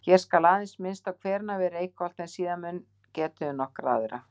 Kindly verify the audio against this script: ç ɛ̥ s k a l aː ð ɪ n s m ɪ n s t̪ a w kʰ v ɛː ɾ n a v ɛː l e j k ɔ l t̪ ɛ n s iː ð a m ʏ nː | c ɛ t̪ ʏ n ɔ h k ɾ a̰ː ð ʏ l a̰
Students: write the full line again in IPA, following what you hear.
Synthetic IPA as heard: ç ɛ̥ s k a l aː ð ɪ n s m ɪ n s t̪ a w kʰ v ɛː ɾ n a v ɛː ɾ e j k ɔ l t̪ ɛ n s iː ð a m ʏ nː | c ɛː t̪ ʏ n ɔ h k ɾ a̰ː ð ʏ ɾ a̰

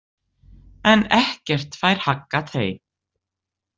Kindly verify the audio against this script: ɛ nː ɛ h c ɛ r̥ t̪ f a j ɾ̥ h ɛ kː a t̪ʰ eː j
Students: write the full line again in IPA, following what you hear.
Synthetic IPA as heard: ɛ n ɛ h c ɛ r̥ t̪ f a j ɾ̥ h a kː a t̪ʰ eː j

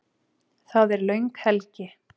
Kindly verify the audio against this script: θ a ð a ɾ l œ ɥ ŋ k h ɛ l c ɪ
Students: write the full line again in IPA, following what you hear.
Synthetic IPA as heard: θ a ð ɛ ɾ l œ ɥ ŋ k h ɛ l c ɪ

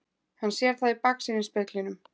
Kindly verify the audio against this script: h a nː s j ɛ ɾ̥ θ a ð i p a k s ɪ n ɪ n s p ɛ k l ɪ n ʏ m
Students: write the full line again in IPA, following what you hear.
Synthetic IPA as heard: h a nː s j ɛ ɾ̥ θ a ð i p a k s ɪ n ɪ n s p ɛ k l ɪ n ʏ m

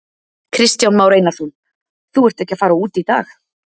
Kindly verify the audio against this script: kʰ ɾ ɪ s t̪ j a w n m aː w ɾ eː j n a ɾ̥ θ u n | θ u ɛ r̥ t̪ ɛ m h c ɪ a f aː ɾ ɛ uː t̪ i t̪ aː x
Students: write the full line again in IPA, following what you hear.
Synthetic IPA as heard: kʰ ɾ ɪ s t̪ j a w n m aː w ɾ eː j n a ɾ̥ θ u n | θ u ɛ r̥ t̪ ɛ h c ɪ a f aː ɾ a uː t̪ i t̪ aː x

